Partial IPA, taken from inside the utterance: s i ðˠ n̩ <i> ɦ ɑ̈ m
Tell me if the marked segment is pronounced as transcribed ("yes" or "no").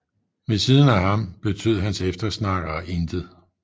no